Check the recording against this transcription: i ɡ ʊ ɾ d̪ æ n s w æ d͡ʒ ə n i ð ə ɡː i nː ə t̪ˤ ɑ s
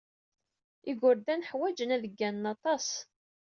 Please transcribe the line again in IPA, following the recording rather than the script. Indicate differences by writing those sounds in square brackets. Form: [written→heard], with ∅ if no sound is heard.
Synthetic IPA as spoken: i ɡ ʊ ɾ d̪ æ n [s→ħ] w æ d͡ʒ ə n [i→æ] ð ə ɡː [i→æ] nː [ə→ɑ] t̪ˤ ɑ s